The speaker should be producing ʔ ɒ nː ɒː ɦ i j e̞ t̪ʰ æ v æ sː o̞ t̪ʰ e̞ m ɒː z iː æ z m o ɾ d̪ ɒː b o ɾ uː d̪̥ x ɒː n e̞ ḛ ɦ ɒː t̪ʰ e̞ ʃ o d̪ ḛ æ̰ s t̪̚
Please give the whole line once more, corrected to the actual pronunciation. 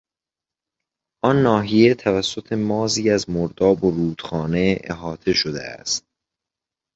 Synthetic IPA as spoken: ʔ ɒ nː ɒː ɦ i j e̞ t̪ʰ æ v æ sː o̞ t̪ʰ e̞ m ɒː z iː æ z m o ɾ d̪ ɒː b o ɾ uː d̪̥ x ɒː n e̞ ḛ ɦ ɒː t̪ʰ e̞ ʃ o d̪ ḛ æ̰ s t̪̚